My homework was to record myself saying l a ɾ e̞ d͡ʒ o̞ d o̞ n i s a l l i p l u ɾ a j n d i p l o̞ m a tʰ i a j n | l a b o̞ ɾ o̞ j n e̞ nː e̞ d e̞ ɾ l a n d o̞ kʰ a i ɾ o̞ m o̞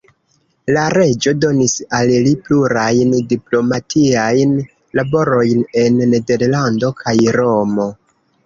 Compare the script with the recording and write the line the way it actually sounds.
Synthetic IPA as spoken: l a ɾ e̞ d͡ʒ o̞ d o̞ n i s a l l i p l u ɾ a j n d i p l o̞ m a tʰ i a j n | l a b o̞ ɾ o̞ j n e̞ nː e̞ d e̞ ɾ l a n d o̞ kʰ a j ɾ o̞ m o̞